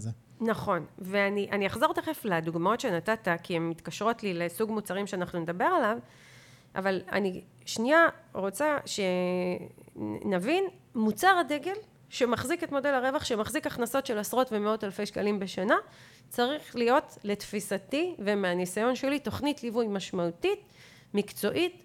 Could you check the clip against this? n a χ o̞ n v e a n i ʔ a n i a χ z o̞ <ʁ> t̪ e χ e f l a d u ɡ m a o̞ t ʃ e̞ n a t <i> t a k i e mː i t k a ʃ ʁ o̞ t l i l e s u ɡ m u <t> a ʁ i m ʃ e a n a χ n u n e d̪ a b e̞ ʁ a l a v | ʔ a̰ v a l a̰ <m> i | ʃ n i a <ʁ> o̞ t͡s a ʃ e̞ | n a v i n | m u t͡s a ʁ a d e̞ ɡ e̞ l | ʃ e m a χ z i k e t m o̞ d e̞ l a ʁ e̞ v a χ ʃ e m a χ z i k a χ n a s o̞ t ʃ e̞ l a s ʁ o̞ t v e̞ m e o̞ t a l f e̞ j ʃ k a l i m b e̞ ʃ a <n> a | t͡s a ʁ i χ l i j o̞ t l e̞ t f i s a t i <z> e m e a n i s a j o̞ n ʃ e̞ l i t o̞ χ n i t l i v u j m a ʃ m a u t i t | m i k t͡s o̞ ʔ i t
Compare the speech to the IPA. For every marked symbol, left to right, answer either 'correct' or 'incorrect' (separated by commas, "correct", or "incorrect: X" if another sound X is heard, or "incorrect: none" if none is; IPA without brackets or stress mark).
correct, incorrect: a, incorrect: t͡s, incorrect: n, correct, correct, incorrect: v